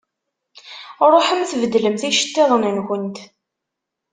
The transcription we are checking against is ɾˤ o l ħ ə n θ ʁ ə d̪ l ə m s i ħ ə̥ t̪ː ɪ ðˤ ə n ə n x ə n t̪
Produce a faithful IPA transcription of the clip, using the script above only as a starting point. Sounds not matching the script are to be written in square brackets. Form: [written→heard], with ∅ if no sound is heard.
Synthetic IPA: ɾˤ o [l→∅] ħ ə [n→m] θ [ʁ→v] ə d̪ l ə m [s→θ] i [ħ→ʃ] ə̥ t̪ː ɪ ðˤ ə n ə n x ə n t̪

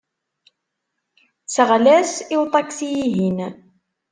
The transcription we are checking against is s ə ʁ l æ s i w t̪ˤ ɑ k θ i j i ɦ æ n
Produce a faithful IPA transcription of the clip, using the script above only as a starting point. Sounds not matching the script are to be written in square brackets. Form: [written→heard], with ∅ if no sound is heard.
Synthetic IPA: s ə ʁ l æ s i w t̪ˤ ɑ k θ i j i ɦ [æ→i] n

